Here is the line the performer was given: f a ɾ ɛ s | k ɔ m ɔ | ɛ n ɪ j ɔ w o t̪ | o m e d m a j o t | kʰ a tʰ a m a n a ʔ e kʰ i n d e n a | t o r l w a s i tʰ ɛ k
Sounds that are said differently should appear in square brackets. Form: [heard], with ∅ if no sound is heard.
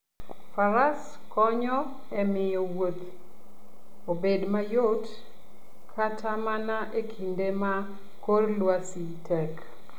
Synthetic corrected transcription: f a ɾ [a] s | k ɔ [ɲ] ɔ | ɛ [m] ɪ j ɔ w o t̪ | o [b] e d m a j o t | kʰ a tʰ a m a n a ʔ e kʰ i n d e [m] a | [k] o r l w a s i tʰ ɛ k